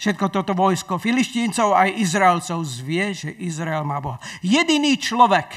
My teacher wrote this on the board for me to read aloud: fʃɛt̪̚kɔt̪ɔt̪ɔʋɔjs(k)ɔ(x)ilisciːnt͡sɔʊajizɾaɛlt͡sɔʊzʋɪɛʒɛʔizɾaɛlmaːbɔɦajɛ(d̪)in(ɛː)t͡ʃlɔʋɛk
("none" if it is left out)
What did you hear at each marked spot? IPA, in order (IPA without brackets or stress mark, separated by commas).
k, f, d̪, iː